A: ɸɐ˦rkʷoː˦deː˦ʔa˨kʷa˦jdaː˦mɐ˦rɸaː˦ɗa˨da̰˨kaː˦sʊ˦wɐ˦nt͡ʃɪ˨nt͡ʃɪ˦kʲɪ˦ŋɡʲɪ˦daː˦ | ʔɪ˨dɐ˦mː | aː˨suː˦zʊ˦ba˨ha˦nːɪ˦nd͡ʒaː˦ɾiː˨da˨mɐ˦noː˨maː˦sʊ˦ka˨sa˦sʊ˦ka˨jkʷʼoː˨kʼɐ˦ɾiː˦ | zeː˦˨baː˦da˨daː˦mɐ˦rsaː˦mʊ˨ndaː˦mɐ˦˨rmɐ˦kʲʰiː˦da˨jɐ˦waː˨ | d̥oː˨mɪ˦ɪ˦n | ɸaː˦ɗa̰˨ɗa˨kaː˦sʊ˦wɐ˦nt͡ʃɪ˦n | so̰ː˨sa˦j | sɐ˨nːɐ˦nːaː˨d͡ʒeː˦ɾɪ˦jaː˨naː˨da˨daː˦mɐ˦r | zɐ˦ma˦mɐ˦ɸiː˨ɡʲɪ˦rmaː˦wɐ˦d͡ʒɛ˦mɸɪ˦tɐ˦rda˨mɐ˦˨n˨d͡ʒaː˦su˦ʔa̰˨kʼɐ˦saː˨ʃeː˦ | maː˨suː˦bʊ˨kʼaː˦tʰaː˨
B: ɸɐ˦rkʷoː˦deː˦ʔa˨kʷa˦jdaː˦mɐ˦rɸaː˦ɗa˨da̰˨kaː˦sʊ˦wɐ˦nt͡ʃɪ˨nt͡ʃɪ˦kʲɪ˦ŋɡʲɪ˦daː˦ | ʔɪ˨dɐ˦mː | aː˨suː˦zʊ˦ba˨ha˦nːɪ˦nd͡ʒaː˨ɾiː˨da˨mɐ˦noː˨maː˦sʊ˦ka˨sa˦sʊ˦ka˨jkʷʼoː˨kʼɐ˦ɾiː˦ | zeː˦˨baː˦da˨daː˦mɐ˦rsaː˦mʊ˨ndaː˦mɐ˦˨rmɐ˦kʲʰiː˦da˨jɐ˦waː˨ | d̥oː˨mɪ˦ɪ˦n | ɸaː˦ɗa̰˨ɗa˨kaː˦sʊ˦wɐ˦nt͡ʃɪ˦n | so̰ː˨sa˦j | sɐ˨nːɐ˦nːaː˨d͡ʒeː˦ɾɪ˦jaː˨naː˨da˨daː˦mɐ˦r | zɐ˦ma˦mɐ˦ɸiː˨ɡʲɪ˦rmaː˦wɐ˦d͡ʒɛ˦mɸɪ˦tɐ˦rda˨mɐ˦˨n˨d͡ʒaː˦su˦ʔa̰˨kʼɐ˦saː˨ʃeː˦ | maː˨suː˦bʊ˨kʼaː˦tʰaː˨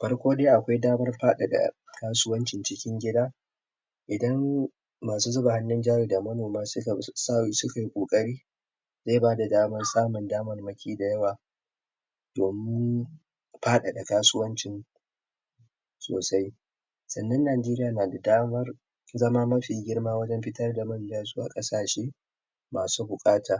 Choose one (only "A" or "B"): A